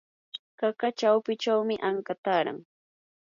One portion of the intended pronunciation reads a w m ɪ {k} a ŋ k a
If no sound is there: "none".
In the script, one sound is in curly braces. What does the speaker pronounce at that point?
ʔ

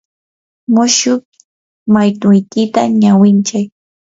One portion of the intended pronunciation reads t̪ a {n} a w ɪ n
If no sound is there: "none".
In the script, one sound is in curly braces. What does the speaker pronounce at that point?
ɲ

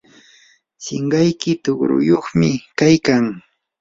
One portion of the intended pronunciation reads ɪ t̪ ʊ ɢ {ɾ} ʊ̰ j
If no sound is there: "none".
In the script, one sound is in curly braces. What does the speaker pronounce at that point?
ɾ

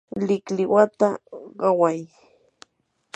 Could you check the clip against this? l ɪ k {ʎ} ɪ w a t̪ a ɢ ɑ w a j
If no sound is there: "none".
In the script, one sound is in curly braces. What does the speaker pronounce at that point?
l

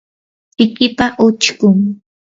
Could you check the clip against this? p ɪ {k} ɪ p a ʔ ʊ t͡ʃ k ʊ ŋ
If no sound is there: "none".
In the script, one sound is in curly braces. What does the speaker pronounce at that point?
k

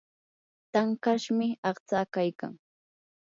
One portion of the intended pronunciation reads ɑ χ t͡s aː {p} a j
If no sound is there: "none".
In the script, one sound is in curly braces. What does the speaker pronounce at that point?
k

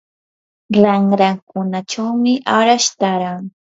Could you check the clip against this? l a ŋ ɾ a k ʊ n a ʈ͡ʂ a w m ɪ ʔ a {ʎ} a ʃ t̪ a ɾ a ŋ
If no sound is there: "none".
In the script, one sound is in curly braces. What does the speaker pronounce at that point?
ɾ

